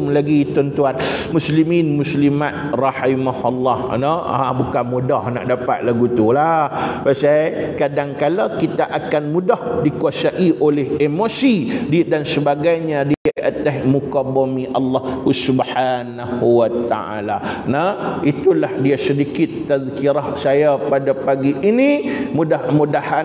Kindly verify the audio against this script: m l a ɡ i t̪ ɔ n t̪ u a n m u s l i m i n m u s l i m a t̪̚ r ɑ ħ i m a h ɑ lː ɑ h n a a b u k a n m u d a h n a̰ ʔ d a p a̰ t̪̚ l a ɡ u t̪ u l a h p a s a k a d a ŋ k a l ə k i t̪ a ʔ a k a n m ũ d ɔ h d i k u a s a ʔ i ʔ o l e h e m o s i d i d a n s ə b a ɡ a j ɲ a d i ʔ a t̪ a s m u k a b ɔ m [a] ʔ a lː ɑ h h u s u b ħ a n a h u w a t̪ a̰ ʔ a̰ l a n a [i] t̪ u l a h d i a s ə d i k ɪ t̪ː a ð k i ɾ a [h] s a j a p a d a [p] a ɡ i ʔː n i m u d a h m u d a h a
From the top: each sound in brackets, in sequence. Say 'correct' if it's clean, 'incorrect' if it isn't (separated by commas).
incorrect, correct, correct, correct